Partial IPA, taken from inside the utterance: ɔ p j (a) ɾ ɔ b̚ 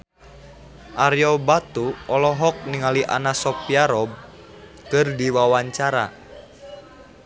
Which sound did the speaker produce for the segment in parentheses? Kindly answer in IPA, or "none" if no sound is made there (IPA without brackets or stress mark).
a